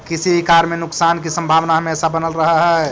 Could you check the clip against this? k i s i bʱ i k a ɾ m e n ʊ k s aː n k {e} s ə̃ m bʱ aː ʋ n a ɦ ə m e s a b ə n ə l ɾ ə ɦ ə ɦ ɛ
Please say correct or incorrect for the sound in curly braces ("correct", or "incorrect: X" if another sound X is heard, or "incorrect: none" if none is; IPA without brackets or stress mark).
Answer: incorrect: i